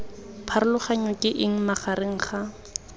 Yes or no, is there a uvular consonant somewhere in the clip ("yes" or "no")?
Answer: yes